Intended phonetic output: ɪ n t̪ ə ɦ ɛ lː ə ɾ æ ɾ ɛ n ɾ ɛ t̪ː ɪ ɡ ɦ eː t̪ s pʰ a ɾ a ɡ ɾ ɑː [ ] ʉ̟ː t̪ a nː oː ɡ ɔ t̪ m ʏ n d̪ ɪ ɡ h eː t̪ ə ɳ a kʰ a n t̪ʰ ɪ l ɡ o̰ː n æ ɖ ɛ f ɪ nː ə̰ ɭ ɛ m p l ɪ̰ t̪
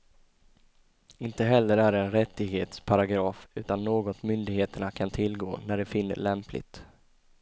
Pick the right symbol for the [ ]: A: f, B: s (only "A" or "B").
A